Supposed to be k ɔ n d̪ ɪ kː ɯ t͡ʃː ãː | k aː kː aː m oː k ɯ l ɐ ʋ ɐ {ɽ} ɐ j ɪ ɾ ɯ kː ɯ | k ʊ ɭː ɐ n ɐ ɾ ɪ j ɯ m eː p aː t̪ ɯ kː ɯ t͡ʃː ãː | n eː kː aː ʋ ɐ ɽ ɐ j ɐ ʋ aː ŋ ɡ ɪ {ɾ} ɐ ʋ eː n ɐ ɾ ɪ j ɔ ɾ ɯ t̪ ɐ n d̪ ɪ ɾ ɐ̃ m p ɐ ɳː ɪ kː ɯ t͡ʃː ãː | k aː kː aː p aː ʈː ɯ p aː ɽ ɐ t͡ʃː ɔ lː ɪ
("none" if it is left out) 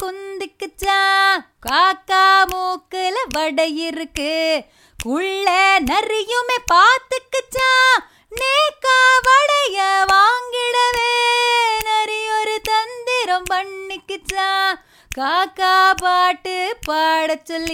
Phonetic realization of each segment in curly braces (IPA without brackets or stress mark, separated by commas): ɽ, ɽ